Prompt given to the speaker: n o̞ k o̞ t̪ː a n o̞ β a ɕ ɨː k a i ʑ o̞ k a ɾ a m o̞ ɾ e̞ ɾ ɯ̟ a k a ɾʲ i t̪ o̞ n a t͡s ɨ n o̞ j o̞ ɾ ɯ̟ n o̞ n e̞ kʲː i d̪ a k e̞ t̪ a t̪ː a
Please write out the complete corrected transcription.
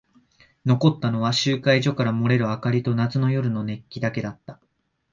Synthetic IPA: n o̞ k o̞ t̪ː a n o̞ β a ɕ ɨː k a i ʑ o̞ k a ɾ a m o̞ ɾ e̞ ɾ ɯ̟ a k a ɾʲ i t̪ o̞ n a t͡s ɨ n o̞ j o̞ ɾ ɯ̟ n o̞ n e̞ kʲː i d̪ a k e̞ d̪ a t̪ː a